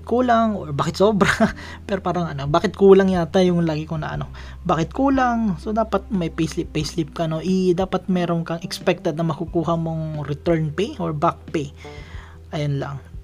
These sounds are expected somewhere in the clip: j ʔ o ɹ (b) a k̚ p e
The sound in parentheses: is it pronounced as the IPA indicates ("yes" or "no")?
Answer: yes